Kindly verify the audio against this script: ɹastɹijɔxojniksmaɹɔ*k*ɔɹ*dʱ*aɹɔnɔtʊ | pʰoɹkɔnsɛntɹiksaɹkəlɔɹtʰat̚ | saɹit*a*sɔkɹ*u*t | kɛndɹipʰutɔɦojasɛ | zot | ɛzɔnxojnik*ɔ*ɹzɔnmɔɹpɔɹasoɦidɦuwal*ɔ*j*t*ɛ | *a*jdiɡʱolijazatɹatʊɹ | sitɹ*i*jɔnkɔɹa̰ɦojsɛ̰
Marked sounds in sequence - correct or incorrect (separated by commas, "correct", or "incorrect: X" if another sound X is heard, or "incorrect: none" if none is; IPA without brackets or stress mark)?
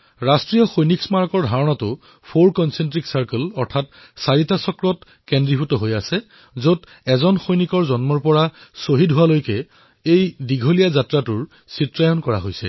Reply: correct, correct, correct, incorrect: ɔ, correct, incorrect: o, incorrect: k, incorrect: e, incorrect: a